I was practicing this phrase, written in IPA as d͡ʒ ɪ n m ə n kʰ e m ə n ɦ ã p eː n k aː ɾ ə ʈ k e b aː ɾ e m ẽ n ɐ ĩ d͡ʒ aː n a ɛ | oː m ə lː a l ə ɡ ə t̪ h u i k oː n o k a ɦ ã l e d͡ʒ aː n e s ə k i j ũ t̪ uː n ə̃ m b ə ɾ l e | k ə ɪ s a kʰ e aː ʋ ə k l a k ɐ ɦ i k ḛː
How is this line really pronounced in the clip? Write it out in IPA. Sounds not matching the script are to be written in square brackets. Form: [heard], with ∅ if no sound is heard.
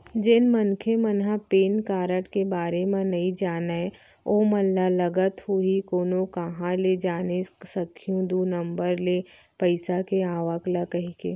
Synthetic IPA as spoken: d͡ʒ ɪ n m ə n kʰ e m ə n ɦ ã p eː n k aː ɾ ə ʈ k e b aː ɾ e m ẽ n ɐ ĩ d͡ʒ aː n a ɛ | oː m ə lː a l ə ɡ ə t̪ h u i k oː n o k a ɦ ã l e d͡ʒ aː n e s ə [kʰ] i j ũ [d̪] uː n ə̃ m b ə ɾ l e | [p] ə ɪ s a [k] e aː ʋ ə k l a k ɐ ɦ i k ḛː

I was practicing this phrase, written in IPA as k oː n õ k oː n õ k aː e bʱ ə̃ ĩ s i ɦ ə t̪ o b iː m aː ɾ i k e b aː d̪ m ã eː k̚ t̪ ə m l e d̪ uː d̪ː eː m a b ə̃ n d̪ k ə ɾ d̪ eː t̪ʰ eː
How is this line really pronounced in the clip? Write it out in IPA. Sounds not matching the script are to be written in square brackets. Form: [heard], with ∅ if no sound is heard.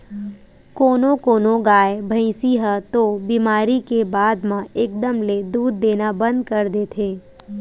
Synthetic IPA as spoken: k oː n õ k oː n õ [ɡ] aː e bʱ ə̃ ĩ s i ɦ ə t̪ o b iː m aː ɾ i k e b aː d̪ m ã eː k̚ [d̪] ə m l e d̪ uː d̪ː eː [n] a b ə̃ n d̪ k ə ɾ d̪ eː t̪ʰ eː

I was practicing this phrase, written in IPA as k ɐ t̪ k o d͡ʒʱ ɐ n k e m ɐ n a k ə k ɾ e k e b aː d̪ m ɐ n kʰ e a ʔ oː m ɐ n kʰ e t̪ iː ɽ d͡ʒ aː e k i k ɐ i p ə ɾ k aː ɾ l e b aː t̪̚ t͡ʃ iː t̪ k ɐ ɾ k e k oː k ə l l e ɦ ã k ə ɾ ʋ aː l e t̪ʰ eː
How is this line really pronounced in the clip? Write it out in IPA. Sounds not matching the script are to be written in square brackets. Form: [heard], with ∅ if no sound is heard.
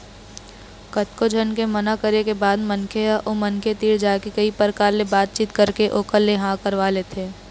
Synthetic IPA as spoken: k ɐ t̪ k o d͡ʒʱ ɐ n k e m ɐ n a k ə [∅] ɾ e k e b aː d̪ m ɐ n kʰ e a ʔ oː m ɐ n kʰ e t̪ iː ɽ d͡ʒ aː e k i k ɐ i p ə ɾ k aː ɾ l e b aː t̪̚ t͡ʃ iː t̪ k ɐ ɾ k e [ʔ] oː k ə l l e ɦ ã k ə ɾ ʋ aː l e t̪ʰ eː

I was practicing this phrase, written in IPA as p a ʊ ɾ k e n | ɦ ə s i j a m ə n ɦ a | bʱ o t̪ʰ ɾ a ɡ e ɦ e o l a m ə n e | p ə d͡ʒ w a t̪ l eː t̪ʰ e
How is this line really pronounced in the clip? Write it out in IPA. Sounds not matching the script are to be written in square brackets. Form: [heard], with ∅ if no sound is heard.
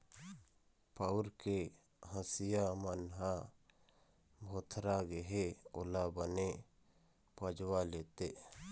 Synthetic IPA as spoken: p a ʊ ɾ k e [∅] | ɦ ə s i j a m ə n ɦ a | bʱ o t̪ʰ ɾ a ɡ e ɦ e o l a [b] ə n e | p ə d͡ʒ w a [∅] l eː [t̪] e

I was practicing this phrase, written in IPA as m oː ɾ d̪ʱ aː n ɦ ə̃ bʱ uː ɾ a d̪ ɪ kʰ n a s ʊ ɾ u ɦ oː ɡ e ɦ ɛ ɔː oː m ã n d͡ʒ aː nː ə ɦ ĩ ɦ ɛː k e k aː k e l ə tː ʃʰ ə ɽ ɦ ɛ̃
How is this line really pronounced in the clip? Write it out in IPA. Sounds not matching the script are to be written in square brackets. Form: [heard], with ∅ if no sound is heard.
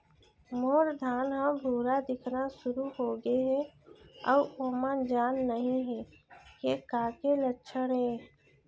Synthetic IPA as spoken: m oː ɾ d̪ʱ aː n ɦ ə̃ bʱ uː ɾ a d̪ ɪ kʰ n a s ʊ ɾ u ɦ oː ɡ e ɦ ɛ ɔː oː m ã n d͡ʒ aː nː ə ɦ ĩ ɦ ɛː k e k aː k e l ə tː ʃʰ ə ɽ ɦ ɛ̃

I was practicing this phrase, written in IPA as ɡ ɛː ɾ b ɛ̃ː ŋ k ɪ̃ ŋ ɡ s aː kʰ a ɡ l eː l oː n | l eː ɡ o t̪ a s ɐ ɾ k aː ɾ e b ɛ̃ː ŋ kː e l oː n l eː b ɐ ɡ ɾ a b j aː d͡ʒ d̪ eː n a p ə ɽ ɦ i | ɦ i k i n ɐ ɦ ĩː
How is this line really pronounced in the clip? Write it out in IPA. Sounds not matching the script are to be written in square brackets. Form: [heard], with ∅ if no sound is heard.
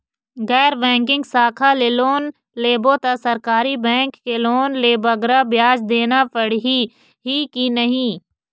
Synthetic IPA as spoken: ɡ ɛː ɾ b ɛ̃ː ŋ k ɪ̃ ŋ ɡ s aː kʰ a [∅] l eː l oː n | l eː [b] o t̪ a s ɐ ɾ k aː ɾ [i] b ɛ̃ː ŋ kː e l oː n l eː b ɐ ɡ ɾ a b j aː d͡ʒ d̪ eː n a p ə ɽ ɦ i | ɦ i k i n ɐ ɦ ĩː

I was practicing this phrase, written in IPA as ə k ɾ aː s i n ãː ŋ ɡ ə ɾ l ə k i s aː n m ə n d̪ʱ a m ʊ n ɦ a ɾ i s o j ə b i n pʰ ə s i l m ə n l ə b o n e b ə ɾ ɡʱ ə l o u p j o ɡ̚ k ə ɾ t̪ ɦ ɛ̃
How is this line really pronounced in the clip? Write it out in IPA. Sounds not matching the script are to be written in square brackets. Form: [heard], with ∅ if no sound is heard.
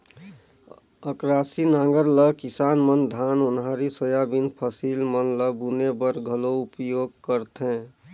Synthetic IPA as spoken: ə k ɾ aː s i n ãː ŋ ɡ ə ɾ l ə k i s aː n m ə n d̪ʱ a [n] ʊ n ɦ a ɾ i s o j [a] b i n pʰ ə s i l m ə n l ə b [u] n e b ə ɾ ɡʱ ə l o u p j o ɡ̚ k ə ɾ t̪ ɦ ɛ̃

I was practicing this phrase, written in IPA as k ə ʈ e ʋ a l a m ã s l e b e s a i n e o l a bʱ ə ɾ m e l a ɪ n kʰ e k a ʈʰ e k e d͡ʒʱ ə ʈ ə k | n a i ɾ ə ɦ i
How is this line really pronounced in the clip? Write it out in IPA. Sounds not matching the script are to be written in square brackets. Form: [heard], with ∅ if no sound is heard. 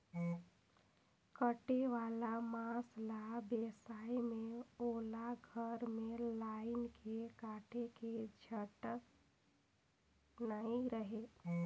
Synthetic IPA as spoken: k ə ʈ e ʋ a l a m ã s l [a] b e s a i [m] e o l a [ɡʱ] ə ɾ m e l a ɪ n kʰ e k a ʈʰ e k e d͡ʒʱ ə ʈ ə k | n a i ɾ ə ɦ [e]

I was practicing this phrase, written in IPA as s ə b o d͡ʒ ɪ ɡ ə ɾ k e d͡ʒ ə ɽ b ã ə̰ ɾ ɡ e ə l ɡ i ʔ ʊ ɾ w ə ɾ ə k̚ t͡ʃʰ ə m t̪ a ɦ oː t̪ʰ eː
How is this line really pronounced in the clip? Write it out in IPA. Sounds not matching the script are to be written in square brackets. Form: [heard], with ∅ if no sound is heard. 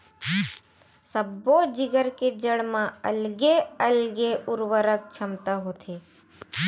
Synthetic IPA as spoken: s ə b o d͡ʒ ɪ ɡ ə ɾ k e d͡ʒ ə ɽ [m] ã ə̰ [l] ɡ e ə l ɡ [e] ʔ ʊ ɾ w ə ɾ ə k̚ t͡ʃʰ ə m t̪ a ɦ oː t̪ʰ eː

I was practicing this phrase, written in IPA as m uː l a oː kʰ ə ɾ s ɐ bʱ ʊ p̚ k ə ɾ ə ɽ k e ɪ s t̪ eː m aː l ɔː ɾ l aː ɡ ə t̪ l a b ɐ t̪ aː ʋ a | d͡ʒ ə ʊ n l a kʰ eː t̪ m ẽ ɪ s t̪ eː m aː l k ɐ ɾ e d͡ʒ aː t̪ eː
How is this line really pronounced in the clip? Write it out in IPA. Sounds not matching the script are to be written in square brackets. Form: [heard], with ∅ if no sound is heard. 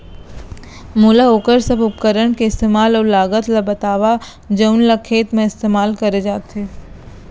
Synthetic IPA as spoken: m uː l a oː [k] ə ɾ s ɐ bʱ ʊ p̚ k ə ɾ ə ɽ k e ɪ s t̪ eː m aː l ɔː ɾ l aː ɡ ə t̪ l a b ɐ t̪ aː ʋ a | d͡ʒ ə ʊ n l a kʰ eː t̪ m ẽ ɪ s t̪ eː m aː l k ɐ ɾ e d͡ʒ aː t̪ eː

